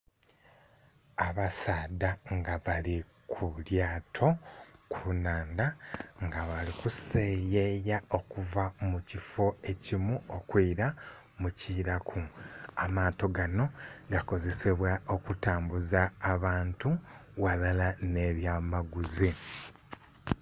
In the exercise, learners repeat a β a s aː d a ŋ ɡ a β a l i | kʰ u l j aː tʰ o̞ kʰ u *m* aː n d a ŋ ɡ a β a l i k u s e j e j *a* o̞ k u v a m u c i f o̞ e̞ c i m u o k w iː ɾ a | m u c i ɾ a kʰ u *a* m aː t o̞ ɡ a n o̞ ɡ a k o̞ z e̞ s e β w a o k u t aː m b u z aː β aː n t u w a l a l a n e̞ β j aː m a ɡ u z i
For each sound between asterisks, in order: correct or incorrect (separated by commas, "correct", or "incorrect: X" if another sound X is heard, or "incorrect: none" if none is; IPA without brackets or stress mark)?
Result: incorrect: n, correct, correct